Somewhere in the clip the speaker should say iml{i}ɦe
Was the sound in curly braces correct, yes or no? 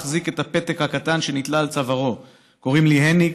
yes